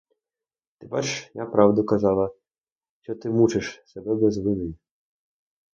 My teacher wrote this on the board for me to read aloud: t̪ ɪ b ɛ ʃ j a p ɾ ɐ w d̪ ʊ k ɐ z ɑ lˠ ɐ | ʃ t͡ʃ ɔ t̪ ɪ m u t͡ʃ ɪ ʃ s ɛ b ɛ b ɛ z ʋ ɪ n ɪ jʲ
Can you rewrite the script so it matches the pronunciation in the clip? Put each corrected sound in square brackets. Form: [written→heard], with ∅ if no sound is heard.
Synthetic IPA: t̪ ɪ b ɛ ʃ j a p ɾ [ɐ→ɑ] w d̪ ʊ k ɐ z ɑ lˠ ɐ | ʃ t͡ʃ ɔ t̪ ɪ m u t͡ʃ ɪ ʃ s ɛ b ɛ b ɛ z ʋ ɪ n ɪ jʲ